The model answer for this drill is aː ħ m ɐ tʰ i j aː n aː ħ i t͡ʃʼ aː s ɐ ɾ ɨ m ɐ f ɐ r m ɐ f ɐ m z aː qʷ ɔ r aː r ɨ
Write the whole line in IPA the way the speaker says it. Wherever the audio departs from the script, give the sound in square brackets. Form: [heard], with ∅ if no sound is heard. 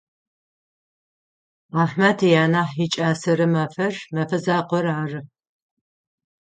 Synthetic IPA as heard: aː ħ m ɐ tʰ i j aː n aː ħ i t͡ʃʼ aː s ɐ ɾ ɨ m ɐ f ɐ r m ɐ f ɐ [∅] z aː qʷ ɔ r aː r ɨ